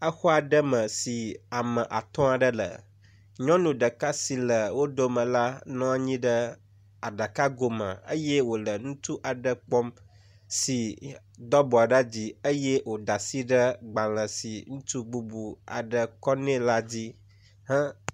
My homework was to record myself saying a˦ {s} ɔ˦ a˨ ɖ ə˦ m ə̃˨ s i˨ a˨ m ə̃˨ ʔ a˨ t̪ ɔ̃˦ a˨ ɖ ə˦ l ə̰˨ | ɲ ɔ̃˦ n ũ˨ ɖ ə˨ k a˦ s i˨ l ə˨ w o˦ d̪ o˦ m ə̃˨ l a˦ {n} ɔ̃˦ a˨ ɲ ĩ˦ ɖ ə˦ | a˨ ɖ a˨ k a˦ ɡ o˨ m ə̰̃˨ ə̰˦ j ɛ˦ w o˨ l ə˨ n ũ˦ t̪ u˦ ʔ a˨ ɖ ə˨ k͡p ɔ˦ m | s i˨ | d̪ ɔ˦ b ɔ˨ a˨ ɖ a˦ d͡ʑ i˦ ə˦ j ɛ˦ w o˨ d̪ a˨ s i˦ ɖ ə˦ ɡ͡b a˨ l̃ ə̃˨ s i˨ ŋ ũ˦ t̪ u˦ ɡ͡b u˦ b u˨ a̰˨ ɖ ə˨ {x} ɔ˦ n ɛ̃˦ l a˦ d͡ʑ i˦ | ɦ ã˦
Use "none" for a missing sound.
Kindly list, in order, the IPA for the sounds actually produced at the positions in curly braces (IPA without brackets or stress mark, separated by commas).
x, n, k